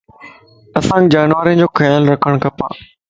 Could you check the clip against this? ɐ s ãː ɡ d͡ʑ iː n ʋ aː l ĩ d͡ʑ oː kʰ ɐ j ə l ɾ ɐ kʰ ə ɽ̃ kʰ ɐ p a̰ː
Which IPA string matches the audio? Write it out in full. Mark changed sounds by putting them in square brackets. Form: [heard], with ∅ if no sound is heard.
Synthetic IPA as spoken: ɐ s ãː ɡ d͡ʑ [aː] n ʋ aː [ɾ] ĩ d͡ʑ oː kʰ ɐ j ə l ɾ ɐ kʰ ə ɽ̃ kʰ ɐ p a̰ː